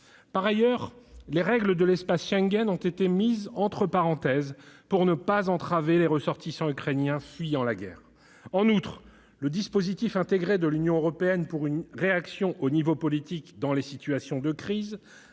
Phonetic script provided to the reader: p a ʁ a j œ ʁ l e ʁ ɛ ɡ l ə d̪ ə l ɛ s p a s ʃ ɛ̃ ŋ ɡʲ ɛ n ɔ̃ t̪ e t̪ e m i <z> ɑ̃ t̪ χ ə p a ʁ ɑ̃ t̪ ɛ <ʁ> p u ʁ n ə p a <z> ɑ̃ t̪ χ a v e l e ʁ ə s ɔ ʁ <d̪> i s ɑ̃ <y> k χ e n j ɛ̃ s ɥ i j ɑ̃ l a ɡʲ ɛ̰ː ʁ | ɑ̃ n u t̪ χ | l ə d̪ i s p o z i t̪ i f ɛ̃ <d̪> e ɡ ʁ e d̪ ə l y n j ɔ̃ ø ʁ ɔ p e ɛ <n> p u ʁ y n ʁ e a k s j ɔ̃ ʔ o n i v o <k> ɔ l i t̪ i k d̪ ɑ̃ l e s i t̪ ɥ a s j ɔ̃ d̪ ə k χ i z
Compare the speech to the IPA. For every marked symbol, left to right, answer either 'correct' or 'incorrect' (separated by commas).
correct, incorrect, correct, incorrect, correct, incorrect, correct, incorrect